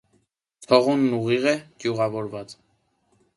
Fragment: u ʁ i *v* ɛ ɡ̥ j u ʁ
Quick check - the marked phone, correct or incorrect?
incorrect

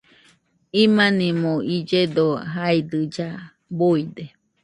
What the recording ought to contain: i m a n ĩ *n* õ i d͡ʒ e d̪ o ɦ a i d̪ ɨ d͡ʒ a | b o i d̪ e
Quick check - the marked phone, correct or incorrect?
incorrect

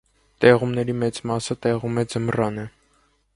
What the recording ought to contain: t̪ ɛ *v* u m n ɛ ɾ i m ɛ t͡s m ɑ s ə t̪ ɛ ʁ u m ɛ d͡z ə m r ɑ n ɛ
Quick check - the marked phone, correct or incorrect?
incorrect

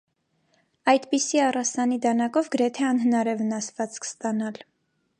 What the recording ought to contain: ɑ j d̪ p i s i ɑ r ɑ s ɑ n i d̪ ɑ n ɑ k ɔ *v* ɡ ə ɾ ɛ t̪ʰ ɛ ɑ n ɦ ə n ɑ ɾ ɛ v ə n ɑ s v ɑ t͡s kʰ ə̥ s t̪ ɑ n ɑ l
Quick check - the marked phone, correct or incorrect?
correct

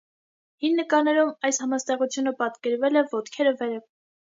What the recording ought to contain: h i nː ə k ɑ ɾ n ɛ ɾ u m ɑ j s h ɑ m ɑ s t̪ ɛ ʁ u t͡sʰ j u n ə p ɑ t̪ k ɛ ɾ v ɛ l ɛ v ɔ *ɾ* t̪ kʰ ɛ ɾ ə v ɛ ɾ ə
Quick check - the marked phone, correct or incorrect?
incorrect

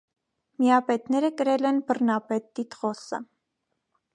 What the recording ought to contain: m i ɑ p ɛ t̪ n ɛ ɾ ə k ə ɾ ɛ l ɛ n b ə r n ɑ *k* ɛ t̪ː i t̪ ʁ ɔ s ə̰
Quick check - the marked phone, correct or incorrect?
incorrect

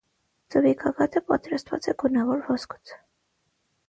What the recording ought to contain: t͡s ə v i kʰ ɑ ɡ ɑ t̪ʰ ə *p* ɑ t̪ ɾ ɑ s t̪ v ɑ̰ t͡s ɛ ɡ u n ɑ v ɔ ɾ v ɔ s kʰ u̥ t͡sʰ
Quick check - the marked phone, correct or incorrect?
correct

